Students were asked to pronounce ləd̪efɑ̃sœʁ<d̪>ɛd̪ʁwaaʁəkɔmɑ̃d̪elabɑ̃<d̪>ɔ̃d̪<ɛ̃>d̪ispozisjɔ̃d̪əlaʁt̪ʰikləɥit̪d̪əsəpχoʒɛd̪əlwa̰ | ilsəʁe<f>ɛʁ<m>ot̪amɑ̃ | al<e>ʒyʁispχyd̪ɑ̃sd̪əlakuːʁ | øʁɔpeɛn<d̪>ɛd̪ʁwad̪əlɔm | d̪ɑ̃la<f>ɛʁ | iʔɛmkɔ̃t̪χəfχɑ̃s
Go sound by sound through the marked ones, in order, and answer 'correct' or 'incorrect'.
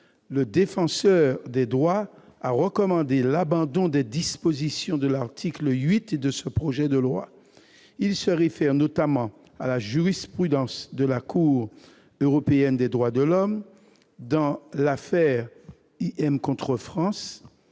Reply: correct, correct, incorrect: ɛ, correct, incorrect: n, incorrect: a, correct, correct

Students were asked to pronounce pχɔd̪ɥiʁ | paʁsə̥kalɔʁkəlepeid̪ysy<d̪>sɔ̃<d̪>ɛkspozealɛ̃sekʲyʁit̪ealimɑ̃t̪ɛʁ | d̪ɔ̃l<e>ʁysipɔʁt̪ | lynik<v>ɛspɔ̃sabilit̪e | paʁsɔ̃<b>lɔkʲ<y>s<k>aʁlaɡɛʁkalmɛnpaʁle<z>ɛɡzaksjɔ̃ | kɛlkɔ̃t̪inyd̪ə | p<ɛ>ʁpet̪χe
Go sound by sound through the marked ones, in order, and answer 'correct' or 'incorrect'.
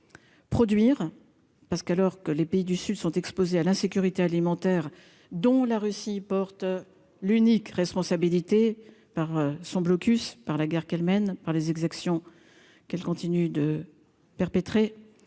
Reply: correct, incorrect: t̪, incorrect: a, incorrect: ʁ, correct, correct, incorrect: p, correct, correct

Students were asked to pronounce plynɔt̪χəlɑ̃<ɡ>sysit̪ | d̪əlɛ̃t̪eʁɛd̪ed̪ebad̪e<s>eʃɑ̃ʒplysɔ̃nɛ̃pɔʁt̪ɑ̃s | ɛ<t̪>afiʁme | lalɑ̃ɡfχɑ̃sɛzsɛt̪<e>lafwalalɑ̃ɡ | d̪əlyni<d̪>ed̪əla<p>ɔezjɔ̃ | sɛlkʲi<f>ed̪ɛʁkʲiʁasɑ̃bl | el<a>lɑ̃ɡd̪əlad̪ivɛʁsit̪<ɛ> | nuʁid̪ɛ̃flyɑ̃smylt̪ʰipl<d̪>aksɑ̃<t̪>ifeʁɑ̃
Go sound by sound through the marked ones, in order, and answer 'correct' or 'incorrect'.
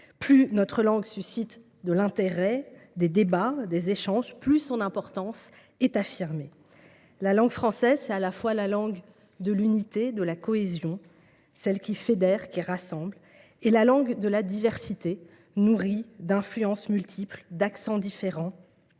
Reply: correct, incorrect: z, correct, incorrect: a, incorrect: t̪, incorrect: k, correct, correct, incorrect: e, correct, incorrect: d̪

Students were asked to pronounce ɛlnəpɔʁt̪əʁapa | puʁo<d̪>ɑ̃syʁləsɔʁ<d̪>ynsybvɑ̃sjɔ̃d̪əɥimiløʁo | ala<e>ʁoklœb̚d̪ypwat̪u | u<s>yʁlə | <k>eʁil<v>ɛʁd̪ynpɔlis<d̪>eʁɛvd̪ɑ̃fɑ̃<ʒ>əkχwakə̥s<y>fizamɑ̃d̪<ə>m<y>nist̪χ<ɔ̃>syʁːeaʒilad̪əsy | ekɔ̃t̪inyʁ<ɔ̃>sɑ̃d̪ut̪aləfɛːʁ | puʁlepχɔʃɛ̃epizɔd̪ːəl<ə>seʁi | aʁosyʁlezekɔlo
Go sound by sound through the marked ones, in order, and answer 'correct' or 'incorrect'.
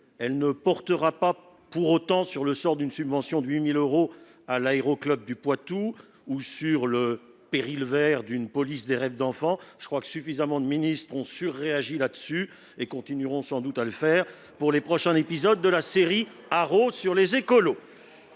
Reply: incorrect: t̪, correct, correct, correct, incorrect: p, correct, correct, correct, correct, correct, incorrect: i, correct, correct, incorrect: a

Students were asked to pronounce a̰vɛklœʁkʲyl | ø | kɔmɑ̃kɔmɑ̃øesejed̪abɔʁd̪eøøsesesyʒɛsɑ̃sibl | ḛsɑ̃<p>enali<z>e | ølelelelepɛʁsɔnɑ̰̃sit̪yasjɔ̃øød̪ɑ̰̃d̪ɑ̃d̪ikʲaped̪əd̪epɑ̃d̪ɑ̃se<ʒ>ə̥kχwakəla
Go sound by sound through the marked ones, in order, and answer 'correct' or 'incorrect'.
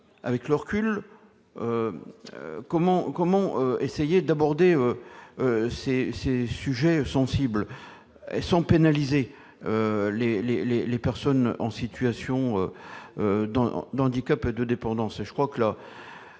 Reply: correct, correct, correct

